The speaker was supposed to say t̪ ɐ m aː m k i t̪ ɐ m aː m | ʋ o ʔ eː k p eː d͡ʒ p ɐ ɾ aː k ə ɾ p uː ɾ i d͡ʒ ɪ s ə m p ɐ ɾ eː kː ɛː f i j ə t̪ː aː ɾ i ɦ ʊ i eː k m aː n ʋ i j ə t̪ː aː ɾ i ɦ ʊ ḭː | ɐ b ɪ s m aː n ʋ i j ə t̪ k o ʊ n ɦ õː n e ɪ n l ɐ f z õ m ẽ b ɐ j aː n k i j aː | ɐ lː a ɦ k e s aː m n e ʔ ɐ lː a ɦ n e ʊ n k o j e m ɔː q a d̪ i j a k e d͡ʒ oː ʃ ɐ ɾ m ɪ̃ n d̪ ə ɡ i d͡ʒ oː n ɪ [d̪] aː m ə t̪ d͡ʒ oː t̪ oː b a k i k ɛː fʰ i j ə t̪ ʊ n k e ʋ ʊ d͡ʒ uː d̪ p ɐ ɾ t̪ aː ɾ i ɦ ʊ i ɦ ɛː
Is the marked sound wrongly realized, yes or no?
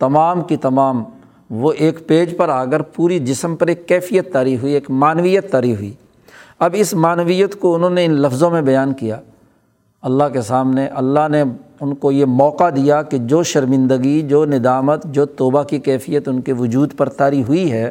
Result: no